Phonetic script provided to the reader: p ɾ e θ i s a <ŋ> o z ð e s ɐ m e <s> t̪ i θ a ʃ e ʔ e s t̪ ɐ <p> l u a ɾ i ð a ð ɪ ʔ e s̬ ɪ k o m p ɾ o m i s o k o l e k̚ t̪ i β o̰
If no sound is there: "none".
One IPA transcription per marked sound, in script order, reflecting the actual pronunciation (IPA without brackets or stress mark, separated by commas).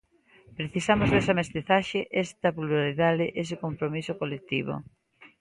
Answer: m, s, p